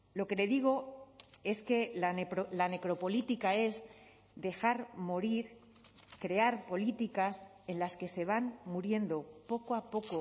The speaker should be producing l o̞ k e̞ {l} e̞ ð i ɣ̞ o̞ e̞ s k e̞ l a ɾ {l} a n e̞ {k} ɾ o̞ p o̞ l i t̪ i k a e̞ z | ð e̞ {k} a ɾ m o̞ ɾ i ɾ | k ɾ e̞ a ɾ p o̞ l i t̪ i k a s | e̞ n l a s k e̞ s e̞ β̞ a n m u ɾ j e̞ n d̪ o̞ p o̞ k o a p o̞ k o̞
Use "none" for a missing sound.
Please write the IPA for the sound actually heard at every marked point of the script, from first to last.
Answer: l, l, k, x

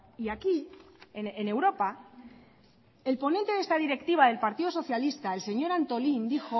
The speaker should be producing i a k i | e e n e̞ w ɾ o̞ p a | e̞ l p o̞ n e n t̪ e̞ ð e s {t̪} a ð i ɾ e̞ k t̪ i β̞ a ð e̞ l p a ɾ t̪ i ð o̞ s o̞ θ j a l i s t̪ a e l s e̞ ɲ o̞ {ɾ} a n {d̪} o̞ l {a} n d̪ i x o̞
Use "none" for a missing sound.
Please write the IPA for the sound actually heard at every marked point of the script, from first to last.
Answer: t̪, ɾ, t̪, i

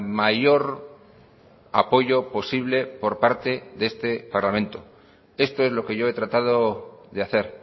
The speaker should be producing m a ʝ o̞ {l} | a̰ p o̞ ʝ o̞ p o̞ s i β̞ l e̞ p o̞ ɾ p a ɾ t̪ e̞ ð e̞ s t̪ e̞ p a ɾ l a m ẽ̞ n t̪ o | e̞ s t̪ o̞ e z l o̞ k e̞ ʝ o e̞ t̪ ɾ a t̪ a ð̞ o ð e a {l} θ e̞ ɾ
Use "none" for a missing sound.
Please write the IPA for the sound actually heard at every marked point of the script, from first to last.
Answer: ɾ, none

